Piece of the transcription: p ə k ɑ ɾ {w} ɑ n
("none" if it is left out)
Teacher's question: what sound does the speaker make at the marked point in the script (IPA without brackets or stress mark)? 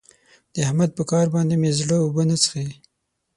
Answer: b